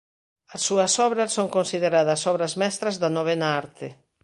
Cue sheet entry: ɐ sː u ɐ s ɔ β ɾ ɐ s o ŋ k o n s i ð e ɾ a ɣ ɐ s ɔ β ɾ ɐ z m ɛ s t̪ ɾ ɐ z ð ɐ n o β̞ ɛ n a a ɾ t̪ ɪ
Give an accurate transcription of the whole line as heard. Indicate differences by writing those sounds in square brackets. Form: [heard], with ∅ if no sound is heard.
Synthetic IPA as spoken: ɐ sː u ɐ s ɔ β ɾ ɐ s o ŋ k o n s i ð e ɾ a [ð] ɐ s ɔ β ɾ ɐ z m ɛ s t̪ ɾ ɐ z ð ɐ n o β̞ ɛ n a a ɾ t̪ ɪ